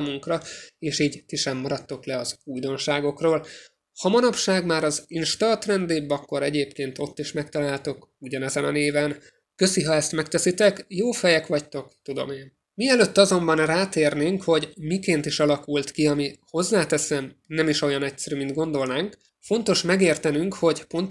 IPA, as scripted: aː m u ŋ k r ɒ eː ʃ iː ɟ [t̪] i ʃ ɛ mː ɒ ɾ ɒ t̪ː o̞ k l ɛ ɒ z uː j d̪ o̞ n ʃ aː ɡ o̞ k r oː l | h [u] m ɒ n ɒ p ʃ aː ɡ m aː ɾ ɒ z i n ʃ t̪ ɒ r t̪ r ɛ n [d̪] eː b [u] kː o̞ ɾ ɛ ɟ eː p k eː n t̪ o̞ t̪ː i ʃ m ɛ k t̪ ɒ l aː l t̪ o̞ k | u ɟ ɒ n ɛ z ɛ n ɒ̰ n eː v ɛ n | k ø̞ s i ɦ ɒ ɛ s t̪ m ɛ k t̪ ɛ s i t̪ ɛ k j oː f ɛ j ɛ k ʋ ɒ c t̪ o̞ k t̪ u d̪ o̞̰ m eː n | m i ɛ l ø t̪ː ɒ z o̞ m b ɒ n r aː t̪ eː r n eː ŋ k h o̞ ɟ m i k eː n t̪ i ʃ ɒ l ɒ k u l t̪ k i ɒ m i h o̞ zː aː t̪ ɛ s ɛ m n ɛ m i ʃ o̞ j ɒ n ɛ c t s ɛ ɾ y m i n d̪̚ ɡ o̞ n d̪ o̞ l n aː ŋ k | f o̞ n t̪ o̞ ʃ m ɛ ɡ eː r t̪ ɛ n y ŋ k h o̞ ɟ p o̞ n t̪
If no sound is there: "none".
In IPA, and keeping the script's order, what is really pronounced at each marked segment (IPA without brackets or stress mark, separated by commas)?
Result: t̪, ɒ, d̪, ɒ